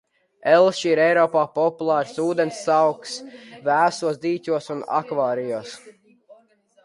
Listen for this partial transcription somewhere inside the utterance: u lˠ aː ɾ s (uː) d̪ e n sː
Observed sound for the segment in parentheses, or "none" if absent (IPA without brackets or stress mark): uː